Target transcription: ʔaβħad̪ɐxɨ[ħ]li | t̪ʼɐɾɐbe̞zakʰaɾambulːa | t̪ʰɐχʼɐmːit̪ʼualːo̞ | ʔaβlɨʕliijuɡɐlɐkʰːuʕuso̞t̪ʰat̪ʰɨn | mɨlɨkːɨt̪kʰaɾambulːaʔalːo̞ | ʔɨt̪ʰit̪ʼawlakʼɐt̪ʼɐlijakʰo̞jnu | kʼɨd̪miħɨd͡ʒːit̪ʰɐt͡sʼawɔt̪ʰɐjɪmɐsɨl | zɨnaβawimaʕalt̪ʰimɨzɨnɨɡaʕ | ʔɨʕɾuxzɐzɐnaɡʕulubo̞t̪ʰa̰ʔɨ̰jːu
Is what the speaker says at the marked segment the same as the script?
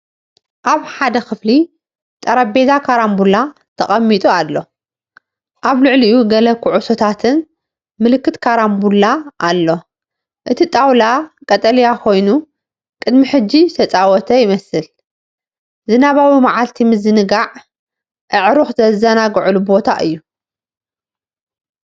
no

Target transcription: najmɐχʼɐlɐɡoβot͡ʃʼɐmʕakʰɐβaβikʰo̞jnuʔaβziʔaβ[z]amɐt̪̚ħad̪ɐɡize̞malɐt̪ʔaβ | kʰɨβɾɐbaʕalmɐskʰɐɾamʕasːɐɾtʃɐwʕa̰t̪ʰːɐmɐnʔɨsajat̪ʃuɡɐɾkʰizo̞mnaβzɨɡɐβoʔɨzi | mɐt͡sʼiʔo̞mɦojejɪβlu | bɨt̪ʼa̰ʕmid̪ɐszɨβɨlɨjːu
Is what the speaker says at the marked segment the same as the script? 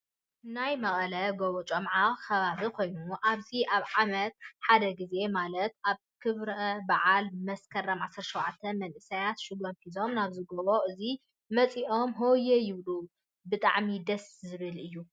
no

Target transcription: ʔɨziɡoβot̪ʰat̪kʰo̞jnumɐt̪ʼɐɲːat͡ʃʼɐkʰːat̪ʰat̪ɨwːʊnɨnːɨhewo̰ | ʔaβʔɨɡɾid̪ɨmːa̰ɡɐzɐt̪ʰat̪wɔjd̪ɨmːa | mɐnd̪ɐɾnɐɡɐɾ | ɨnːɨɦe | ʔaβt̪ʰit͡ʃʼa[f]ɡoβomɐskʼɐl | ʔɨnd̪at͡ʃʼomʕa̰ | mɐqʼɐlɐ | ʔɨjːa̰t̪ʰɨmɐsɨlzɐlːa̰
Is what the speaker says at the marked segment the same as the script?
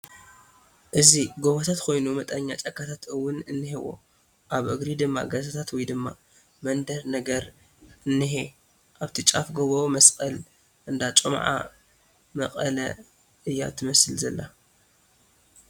yes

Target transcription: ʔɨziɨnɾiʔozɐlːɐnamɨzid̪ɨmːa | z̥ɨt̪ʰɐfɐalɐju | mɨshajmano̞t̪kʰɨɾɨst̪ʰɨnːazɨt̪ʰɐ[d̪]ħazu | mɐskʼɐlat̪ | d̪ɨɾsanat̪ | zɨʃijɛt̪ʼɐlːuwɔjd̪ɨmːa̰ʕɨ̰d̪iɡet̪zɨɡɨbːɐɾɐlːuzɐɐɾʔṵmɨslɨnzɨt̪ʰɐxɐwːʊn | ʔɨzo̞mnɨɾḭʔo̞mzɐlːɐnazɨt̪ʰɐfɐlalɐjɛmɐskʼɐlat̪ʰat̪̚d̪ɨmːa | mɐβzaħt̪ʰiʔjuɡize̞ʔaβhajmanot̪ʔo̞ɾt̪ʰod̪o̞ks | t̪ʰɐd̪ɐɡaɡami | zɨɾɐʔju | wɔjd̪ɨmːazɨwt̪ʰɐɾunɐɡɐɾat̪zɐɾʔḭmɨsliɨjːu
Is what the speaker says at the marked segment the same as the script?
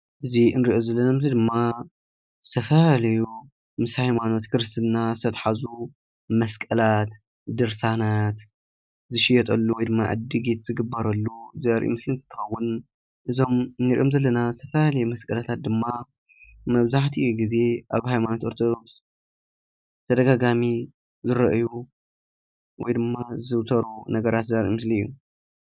no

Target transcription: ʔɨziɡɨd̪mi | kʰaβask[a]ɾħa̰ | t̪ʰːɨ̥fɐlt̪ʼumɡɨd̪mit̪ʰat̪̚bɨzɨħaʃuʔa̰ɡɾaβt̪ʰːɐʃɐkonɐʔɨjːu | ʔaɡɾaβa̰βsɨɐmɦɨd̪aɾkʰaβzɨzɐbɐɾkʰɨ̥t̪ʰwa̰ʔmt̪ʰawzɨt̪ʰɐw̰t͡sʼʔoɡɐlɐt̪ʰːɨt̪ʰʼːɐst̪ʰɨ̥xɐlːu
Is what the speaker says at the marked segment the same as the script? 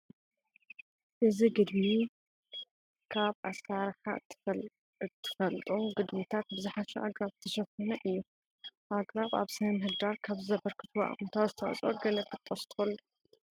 yes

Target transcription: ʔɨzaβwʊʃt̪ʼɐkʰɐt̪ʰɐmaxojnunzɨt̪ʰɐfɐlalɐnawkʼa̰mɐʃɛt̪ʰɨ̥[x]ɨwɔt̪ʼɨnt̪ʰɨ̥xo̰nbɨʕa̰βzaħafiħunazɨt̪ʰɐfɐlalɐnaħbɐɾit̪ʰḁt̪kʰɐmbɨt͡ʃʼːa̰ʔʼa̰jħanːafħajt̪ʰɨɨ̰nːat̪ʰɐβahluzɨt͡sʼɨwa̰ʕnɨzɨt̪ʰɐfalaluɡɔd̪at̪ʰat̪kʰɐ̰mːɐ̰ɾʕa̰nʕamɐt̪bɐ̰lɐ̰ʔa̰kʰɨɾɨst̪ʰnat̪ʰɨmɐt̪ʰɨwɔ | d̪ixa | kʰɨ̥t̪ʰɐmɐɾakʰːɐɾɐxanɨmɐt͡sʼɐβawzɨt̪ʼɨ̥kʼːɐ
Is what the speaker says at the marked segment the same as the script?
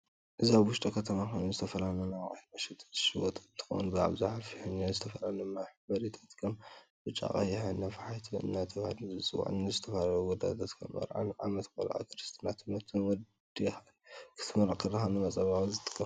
no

